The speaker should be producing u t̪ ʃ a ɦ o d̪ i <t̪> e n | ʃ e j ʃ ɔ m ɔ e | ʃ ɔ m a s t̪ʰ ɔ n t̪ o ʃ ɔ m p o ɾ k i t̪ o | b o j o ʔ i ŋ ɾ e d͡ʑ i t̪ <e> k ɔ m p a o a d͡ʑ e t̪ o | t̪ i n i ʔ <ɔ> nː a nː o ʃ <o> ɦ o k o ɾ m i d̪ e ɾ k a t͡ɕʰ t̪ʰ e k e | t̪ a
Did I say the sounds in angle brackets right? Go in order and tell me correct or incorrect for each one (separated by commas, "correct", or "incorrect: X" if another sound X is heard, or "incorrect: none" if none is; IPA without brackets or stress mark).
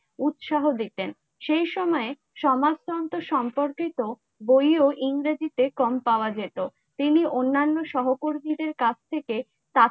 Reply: correct, correct, incorrect: o, incorrect: ɔ